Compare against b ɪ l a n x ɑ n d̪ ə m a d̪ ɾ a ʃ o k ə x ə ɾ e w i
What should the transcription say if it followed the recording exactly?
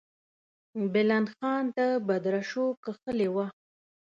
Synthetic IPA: b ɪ l a n x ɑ n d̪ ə b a d̪ ɾ a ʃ o k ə x ə l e w a